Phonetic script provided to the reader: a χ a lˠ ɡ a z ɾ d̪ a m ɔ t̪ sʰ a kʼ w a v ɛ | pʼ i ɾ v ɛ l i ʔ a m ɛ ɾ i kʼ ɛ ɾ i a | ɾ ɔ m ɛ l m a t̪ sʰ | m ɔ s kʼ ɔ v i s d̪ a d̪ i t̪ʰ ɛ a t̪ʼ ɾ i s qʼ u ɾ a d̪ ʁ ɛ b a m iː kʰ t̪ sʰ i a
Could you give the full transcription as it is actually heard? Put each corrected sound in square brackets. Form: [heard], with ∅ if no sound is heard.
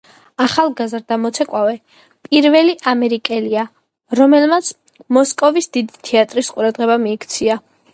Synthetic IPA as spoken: a χ a lˠ ɡ a z ɾ d̪ a m ɔ t̪ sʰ [ɛ] kʼ w a v ɛ | pʼ i ɾ v ɛ l i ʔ a m ɛ ɾ i kʼ ɛ [l] i a | ɾ ɔ m ɛ l m a t̪ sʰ | m ɔ s kʼ ɔ v i s d̪ [i] d̪ i t̪ʰ ɛ a t̪ʼ ɾ i s qʼ u ɾ a d̪ ʁ ɛ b a m iː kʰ t̪ sʰ i a